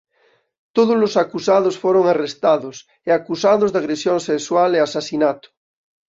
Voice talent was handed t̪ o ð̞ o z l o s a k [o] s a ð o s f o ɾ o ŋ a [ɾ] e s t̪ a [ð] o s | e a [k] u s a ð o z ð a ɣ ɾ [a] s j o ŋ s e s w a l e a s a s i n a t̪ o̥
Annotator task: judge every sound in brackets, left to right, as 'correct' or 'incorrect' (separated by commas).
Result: incorrect, incorrect, correct, correct, incorrect